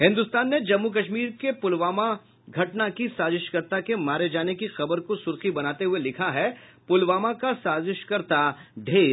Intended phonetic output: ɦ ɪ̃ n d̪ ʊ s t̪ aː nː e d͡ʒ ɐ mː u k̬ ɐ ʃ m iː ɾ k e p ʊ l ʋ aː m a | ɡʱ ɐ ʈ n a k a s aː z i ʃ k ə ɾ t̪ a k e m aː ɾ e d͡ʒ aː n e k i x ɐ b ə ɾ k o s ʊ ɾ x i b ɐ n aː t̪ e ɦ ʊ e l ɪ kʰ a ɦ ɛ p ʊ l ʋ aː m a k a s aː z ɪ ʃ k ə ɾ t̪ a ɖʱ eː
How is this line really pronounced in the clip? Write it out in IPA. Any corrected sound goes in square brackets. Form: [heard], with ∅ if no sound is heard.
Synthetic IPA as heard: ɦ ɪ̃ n d̪ ʊ s t̪ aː nː e d͡ʒ ɐ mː u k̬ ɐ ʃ m iː ɾ k e p ʊ l ʋ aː m a | ɡʱ ɐ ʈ n a k [i] s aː z [ɪ] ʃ k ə ɾ t̪ a k e m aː ɾ e d͡ʒ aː n e k i x ɐ b ə ɾ k o s ʊ ɾ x i b ɐ n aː t̪ e ɦ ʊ e l ɪ kʰ a ɦ ɛ p ʊ l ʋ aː m a k a s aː z ɪ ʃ k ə ɾ t̪ a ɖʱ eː

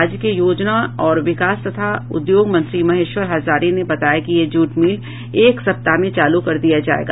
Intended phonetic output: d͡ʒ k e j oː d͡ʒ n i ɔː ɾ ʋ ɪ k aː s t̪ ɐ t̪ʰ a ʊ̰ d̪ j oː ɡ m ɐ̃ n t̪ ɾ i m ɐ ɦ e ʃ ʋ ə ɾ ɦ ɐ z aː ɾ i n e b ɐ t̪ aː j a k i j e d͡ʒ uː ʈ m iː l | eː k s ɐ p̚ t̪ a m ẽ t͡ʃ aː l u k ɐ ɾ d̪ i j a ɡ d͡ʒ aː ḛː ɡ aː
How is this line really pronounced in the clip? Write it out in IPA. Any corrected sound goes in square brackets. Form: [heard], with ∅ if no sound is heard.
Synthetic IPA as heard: d͡ʒ k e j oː d͡ʒ n [a] ɔː ɾ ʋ ɪ k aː s t̪ ɐ t̪ʰ a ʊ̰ d̪ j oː ɡ m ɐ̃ n t̪ ɾ i m ɐ ɦ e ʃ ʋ ə ɾ ɦ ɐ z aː ɾ i n e b ɐ t̪ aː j a k i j e d͡ʒ uː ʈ m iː l | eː k s ɐ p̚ t̪ a m ẽ t͡ʃ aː l u k ɐ ɾ d̪ i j a [∅] d͡ʒ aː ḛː ɡ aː

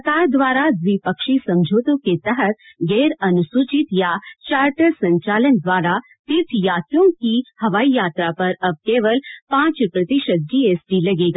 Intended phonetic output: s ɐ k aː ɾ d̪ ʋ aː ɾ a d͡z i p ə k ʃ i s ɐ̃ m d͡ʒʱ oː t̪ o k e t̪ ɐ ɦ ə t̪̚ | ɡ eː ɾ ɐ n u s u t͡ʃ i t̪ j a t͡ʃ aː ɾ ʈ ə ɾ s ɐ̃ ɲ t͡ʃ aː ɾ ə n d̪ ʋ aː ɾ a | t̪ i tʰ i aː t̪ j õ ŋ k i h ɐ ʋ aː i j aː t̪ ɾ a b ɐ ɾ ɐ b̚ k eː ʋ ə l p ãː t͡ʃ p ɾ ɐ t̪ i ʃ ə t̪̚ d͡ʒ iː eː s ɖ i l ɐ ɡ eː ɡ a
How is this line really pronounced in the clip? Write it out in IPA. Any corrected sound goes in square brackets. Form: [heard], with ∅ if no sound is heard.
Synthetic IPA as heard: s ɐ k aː ɾ d̪ ʋ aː ɾ a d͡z i p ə k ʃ i s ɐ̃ m d͡ʒʱ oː t̪ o k e t̪ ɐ ɦ ə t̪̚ | ɡ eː ɾ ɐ n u s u t͡ʃ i t̪ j a t͡ʃ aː ɾ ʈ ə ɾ s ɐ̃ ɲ t͡ʃ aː [l] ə n d̪ ʋ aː ɾ a | t̪ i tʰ [j] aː t̪ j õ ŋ k i h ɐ ʋ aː i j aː t̪ ɾ a [p] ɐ ɾ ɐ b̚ k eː ʋ ə l p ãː t͡ʃ p ɾ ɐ t̪ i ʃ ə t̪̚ d͡ʒ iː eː s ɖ i l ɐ ɡ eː ɡ a

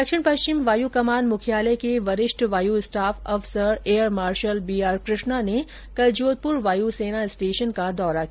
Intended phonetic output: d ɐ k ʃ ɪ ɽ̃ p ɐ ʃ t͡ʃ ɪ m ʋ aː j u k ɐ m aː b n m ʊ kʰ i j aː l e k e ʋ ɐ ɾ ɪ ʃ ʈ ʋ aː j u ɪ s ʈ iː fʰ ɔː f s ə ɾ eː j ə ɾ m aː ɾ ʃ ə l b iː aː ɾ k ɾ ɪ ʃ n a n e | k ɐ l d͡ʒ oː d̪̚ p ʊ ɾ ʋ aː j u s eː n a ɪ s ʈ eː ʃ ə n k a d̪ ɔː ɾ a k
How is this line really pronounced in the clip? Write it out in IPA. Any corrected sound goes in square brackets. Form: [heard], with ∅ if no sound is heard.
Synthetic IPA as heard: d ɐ k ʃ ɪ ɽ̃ p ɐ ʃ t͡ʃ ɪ m ʋ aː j u k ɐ m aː [∅] n m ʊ kʰ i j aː l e k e ʋ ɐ ɾ ɪ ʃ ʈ ʋ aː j u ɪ s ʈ [aː] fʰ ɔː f s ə ɾ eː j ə ɾ m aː ɾ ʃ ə l b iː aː ɾ k ɾ ɪ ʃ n a n e | k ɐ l d͡ʒ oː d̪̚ p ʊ ɾ ʋ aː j u s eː n a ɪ s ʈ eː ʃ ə n k a d̪ ɔː ɾ a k

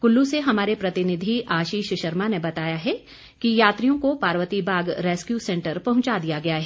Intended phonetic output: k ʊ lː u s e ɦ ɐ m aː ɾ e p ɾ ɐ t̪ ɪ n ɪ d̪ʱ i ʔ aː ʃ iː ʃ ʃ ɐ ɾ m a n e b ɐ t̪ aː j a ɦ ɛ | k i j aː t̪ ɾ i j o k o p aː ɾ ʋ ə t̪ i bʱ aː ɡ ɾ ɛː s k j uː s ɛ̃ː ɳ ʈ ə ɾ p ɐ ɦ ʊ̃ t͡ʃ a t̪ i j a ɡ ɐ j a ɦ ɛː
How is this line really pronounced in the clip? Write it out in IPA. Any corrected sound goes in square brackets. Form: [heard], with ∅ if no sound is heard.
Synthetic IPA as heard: k ʊ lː u s e ɦ ɐ m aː ɾ e p ɾ ɐ t̪ ɪ n ɪ d̪ʱ i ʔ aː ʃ iː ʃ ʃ ɐ ɾ m a n e b ɐ t̪ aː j a ɦ ɛ | k i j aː t̪ ɾ i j [õ] k o p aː ɾ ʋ ə t̪ i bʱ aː ɡ ɾ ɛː s k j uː s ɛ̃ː ɳ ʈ ə ɾ p ɐ ɦ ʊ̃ t͡ʃ a [d̪] i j a ɡ ɐ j a ɦ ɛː

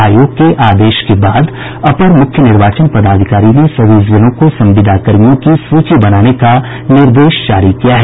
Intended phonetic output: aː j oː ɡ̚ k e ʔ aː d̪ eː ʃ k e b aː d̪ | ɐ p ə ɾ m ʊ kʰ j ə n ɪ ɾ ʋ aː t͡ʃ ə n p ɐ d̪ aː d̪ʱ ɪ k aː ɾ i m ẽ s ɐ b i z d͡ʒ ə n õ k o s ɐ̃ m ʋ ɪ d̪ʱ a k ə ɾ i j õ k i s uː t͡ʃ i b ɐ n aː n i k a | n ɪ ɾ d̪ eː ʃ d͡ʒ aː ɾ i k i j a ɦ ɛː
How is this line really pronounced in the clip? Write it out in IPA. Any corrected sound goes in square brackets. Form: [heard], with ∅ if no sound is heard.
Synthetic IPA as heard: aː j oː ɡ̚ k e ʔ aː d̪ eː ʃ k e b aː d̪ | ɐ p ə ɾ m ʊ kʰ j ə n ɪ ɾ ʋ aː t͡ʃ ə n p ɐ d̪ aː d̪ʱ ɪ k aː ɾ i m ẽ s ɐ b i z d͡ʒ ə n õ k o s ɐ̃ m ʋ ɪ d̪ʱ a k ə ɾ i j õ k i s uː t͡ʃ i b ɐ n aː n [e] k a | n ɪ ɾ d̪ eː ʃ d͡ʒ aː ɾ i k i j a ɦ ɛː

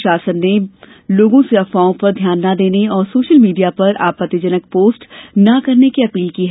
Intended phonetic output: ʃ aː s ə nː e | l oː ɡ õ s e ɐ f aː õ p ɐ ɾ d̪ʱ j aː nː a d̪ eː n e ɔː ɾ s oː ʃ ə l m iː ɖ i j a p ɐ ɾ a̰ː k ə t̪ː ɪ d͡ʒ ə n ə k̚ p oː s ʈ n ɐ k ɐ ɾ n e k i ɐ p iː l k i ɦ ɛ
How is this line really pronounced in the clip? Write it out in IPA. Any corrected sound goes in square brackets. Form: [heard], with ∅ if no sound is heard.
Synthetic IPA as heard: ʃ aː s ə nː e | l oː ɡ õ s e ɐ f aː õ p ɐ ɾ d̪ʱ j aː nː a d̪ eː n e ɔː ɾ s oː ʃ ə l m iː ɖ i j a p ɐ ɾ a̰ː [p] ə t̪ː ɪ d͡ʒ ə n ə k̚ p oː s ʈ n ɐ k ɐ ɾ n e k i ɐ p iː l k i ɦ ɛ

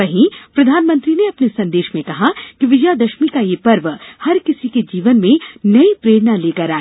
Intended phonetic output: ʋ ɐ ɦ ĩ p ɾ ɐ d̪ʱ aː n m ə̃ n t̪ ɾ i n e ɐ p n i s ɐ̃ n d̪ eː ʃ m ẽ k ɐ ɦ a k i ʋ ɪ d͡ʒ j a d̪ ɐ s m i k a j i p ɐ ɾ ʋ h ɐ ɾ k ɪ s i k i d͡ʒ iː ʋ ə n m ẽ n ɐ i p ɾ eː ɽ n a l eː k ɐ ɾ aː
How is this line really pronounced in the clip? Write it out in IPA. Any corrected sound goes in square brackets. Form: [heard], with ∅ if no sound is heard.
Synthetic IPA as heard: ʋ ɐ ɦ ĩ p ɾ ɐ d̪ʱ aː n m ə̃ n t̪ ɾ i n e ɐ p n [e] s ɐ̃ n d̪ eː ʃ m ẽ k ɐ ɦ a k i ʋ ɪ d͡ʒ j a d̪ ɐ [ʃ] m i k a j [e] p ɐ ɾ ʋ h ɐ ɾ k ɪ s i k [e] d͡ʒ iː ʋ ə n m ẽ n ɐ i p ɾ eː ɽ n a l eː k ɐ ɾ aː

